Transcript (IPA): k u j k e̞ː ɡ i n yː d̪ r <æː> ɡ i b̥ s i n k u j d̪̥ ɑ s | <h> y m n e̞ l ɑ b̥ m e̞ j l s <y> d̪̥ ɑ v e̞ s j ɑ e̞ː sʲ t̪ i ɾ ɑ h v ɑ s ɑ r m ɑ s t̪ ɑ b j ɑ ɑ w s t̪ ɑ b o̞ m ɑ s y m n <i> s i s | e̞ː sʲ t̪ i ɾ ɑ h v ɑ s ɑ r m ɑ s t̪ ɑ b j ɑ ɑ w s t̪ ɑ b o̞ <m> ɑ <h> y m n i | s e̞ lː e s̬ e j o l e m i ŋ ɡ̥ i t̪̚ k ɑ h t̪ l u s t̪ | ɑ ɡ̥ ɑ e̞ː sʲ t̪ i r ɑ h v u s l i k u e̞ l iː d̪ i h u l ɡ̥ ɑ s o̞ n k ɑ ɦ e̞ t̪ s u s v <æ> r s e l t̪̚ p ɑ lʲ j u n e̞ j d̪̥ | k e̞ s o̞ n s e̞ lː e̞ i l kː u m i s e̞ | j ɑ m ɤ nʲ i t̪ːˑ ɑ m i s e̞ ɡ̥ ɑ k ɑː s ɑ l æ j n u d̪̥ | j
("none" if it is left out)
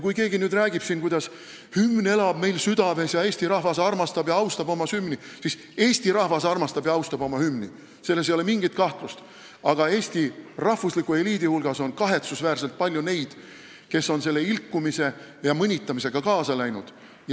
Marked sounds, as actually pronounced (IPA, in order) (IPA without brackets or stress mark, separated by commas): æː, h, y, i, m, h, æː